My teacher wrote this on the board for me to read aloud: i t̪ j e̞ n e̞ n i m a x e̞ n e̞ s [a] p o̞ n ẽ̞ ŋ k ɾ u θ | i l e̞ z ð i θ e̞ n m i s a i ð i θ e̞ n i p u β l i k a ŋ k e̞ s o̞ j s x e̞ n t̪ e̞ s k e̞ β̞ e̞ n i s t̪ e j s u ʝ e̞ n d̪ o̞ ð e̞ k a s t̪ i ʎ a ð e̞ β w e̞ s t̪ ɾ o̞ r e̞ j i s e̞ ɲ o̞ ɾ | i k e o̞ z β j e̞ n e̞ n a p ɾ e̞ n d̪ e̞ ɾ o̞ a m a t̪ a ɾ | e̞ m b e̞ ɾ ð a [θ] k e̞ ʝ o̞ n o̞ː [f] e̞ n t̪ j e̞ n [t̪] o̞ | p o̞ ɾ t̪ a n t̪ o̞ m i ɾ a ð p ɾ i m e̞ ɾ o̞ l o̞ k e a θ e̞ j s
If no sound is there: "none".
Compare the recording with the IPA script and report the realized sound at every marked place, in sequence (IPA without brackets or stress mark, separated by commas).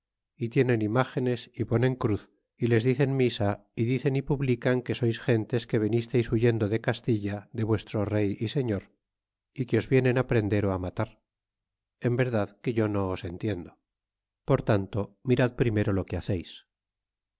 i, ð, s, d̪